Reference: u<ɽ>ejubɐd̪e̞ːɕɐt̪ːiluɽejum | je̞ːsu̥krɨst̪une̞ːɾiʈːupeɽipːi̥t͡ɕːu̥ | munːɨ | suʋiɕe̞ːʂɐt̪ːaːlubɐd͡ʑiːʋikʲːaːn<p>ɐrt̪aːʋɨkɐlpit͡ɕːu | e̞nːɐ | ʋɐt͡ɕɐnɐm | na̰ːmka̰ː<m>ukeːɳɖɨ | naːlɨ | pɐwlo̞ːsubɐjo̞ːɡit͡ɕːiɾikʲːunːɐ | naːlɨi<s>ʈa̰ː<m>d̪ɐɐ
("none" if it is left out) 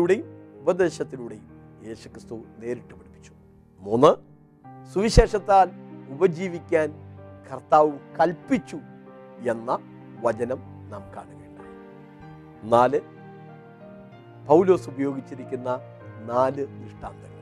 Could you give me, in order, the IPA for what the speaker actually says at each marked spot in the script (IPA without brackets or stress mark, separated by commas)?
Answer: ɽ, k, ɳ, ʂ, n